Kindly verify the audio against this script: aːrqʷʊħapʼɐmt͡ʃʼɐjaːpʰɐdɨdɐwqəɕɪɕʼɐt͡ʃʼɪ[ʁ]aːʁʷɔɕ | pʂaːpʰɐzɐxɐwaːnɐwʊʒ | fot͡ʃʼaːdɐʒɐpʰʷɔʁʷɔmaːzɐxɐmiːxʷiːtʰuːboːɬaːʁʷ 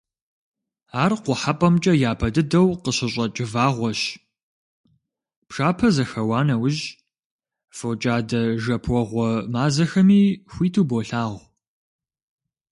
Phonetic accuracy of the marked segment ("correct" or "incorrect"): incorrect